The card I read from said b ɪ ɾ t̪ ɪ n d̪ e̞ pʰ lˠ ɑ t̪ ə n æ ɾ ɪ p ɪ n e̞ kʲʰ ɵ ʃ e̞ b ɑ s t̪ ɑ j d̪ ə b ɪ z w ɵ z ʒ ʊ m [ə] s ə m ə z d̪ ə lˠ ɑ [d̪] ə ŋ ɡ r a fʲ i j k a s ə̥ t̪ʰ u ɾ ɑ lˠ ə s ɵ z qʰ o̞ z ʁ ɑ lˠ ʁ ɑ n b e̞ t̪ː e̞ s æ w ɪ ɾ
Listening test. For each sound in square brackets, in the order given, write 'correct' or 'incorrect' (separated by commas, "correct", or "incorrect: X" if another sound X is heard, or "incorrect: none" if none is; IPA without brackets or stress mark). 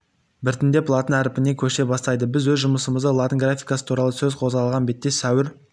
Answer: correct, incorrect: t̪